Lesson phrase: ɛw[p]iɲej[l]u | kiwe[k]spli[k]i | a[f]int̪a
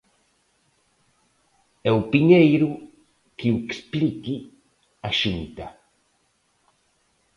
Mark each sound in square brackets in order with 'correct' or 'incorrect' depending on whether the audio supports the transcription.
correct, incorrect: ɾ, correct, correct, incorrect: ʃ

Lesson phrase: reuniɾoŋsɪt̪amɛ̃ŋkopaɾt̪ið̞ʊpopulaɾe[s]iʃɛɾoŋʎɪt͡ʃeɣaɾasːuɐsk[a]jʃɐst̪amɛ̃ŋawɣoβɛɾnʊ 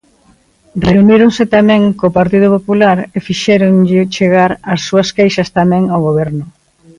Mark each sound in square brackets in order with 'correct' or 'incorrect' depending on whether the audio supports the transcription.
incorrect: f, incorrect: e

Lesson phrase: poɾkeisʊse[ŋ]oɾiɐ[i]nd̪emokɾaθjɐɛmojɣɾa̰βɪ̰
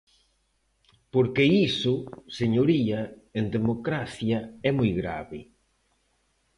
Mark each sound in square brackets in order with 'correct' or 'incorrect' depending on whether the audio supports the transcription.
incorrect: ɲ, incorrect: e

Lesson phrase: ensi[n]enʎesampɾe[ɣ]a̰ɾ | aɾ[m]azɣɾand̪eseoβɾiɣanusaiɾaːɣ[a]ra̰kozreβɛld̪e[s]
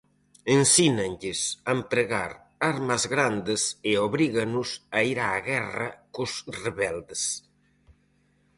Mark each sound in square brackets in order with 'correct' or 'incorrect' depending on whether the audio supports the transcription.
correct, correct, correct, incorrect: ɛ, correct

